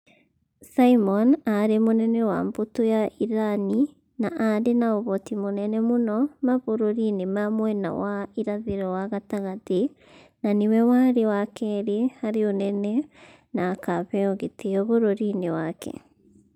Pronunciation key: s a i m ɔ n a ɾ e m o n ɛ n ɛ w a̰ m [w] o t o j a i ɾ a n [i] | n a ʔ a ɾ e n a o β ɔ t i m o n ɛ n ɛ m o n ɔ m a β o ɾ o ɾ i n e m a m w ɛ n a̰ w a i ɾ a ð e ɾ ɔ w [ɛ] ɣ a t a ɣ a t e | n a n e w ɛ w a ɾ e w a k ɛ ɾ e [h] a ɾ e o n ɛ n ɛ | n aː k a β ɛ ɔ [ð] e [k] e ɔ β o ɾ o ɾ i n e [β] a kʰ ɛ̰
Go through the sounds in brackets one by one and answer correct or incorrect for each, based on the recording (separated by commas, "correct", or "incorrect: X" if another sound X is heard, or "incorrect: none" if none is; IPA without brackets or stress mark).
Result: incorrect: b, correct, incorrect: a, correct, incorrect: ɣ, incorrect: t, incorrect: w